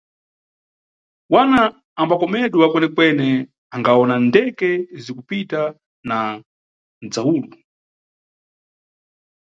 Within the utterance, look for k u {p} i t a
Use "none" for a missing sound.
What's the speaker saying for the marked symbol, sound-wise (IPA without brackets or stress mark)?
p